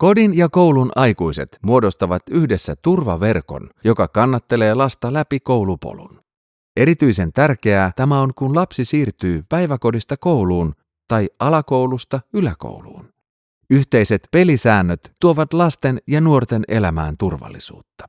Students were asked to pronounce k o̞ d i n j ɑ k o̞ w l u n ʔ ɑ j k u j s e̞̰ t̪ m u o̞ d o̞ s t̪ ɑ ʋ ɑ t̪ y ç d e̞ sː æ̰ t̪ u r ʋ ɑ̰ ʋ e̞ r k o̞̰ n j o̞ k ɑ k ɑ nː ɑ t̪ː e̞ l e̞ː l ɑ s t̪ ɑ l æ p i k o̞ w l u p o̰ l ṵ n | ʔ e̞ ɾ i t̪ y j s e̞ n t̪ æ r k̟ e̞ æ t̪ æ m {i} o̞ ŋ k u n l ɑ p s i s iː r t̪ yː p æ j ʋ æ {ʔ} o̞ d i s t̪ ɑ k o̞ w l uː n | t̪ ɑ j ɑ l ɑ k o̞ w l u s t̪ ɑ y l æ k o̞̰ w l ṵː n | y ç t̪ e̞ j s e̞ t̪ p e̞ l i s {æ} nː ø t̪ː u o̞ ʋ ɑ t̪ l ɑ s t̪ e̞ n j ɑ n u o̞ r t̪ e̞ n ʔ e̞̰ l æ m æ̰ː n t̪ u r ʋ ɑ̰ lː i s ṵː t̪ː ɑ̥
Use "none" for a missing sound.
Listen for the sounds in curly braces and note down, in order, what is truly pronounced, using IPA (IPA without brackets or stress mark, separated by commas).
æ, k, æː